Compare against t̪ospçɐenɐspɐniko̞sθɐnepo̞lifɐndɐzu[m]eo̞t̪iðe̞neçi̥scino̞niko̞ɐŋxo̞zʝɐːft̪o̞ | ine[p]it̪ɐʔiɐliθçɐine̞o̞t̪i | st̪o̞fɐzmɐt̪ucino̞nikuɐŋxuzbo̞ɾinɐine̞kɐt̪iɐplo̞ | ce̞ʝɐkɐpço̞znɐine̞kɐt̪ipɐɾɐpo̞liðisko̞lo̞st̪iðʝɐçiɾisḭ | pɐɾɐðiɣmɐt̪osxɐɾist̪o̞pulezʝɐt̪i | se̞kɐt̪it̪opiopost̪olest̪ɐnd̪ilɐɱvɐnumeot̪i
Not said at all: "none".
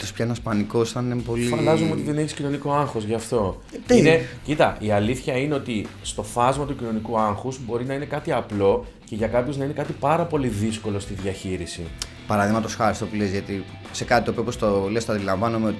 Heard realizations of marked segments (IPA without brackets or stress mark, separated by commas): m, c